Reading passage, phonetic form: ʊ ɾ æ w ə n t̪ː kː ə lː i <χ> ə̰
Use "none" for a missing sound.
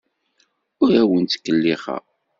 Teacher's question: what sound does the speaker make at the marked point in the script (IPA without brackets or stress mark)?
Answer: χ